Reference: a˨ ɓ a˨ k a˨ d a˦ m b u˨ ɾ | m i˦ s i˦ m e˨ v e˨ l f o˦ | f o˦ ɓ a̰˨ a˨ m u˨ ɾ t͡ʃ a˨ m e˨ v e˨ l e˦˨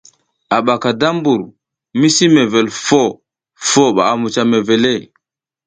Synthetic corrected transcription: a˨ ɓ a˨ k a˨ d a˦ m b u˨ ɾ | m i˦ s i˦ m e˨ v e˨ l f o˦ | f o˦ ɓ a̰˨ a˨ m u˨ t͡ʃ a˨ m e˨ v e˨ l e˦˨